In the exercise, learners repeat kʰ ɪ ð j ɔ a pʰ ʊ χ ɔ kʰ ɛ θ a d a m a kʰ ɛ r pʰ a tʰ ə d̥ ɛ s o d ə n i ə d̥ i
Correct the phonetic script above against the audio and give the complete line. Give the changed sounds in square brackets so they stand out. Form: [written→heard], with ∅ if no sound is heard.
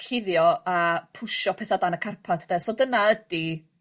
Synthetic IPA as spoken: kʰ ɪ ð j ɔ a pʰ ʊ [χ→ʃ] ɔ [kʰ→pʰ] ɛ θ a d a [m→n] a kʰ [ɛ→a] r pʰ a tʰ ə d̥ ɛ s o d ə n [i→a] ə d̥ i